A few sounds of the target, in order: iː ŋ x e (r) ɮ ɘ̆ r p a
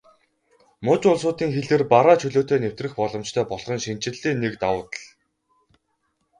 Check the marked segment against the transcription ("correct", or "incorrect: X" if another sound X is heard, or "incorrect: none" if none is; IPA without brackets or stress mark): incorrect: none